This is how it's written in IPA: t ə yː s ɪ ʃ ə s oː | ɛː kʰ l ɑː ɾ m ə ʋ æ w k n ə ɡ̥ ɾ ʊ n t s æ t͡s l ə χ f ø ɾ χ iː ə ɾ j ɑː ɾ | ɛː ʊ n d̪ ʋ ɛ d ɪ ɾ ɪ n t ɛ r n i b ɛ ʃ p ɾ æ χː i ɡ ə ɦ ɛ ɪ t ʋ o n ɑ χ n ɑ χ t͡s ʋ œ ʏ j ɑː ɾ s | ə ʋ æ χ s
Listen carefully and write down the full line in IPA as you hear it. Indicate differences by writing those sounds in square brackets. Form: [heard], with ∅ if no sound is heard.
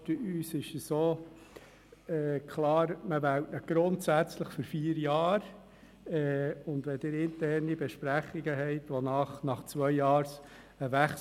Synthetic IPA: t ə yː s ɪ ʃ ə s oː | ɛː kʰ l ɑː ɾ m ə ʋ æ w [t] n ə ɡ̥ ɾ ʊ n t s æ t͡s l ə χ f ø ɾ [f] iː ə ɾ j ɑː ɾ | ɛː ʊ n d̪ ʋ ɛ d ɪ ɾ ɪ n t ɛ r n i b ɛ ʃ p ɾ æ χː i ɡ ə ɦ ɛ ɪ t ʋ o n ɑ χ n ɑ χ t͡s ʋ œ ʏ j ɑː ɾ s | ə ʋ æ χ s

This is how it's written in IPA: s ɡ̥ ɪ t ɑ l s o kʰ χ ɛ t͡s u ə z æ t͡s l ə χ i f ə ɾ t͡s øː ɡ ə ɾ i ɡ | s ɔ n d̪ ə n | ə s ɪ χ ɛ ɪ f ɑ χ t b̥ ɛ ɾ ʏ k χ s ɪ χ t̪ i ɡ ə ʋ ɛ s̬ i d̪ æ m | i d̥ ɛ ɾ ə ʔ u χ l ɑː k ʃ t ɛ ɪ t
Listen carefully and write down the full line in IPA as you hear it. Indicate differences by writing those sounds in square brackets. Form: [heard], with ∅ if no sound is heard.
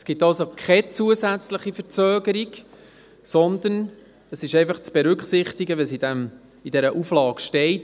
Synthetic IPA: s ɡ̥ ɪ t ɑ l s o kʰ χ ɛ t͡s u ə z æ t͡s l ə χ i f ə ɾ t͡s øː ɡ ə ɾ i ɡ | s ɔ n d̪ ə n | ə s ɪ [ʃ] ɛ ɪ f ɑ χ [t͡s] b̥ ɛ ɾ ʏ k χ s ɪ χ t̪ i ɡ ə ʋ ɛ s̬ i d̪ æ m | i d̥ ɛ ɾ ə ʔ u [f] l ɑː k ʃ t ɛ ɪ t

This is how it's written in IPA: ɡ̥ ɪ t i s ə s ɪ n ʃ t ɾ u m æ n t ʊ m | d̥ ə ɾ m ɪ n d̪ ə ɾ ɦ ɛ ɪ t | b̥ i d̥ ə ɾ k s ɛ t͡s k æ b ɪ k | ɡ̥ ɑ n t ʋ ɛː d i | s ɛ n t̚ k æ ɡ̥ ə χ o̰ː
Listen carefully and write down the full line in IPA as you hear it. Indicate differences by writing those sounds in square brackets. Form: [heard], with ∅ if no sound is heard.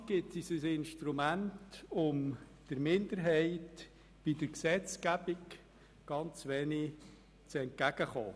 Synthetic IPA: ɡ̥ ɪ t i s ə s ɪ n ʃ t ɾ u m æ n t ʊ m | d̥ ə ɾ m ɪ n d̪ ə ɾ ɦ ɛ ɪ t | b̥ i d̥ ə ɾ k s ɛ t͡s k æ b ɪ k | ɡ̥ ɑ n [t͡s] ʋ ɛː [n] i | [t͡s] ɛ n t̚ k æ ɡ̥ ə χ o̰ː

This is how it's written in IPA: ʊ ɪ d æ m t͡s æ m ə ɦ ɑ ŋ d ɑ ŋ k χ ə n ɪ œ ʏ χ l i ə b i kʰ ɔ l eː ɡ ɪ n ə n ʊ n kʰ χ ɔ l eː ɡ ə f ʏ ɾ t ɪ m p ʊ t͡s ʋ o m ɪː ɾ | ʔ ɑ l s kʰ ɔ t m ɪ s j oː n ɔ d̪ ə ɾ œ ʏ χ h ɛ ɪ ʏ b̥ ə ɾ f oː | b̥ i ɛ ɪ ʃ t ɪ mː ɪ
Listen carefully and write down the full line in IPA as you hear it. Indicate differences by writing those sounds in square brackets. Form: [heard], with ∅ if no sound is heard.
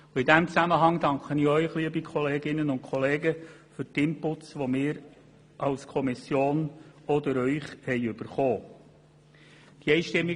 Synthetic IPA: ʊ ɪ d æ m t͡s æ m ə ɦ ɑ ŋ d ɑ ŋ k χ ə n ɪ œ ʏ χ l i ə b i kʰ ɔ l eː ɡ ɪ n ə n ʊ n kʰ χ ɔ l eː ɡ ə f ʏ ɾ t ɪ m p ʊ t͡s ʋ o m ɪː ɾ | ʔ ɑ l s kʰ ɔ [∅] m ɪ s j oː n ɔ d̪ ə ɾ œ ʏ χ h ɛ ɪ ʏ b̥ ə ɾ [χ] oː | [d̥] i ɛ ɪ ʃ t ɪ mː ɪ

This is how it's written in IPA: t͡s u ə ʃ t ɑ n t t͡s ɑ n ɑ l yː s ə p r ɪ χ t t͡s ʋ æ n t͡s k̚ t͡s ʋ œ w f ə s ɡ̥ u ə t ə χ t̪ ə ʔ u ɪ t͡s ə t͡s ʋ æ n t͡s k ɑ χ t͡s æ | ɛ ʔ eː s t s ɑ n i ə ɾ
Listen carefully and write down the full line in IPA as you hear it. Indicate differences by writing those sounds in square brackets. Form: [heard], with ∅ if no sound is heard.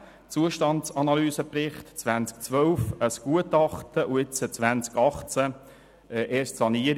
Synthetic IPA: t͡s u ə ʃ t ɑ n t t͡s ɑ n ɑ l yː s ə p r ɪ χ t t͡s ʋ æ n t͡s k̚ t͡s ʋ œ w f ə s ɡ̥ u ə t [ɑ] χ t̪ ə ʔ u ɪ t͡s ə t͡s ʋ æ n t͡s k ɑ χ t͡s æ | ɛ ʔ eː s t s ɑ n i ə ɾ

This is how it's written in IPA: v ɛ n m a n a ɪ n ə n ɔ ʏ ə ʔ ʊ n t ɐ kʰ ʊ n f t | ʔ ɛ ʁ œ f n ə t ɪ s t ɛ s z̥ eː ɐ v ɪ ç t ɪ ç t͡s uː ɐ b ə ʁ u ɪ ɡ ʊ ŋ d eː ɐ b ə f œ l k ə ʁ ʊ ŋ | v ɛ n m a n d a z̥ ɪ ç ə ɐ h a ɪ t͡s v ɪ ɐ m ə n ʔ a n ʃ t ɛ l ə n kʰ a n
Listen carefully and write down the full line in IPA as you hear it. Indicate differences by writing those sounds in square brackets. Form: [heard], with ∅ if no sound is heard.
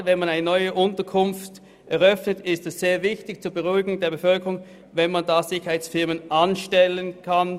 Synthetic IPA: v ɛ n m a n a ɪ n ə n ɔ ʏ ə ʔ ʊ n t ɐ kʰ ʊ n f t | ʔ ɛ ʁ œ f n ə t ɪ s t ɛ s z̥ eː ɐ v ɪ ç t ɪ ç t͡s uː ɐ b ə ʁ u ɪ ɡ ʊ ŋ d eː ɐ b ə f œ l k ə ʁ ʊ ŋ | v ɛ n m a n d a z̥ ɪ ç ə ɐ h a ɪ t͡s [f] ɪ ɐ m ə n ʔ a n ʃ t ɛ l ə n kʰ a n

